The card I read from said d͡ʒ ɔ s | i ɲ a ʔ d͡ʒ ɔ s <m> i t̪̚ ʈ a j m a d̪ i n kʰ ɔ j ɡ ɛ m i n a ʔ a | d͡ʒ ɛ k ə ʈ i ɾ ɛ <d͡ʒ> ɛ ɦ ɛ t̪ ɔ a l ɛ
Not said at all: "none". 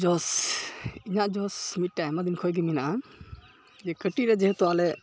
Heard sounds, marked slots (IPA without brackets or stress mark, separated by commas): m, d͡ʒ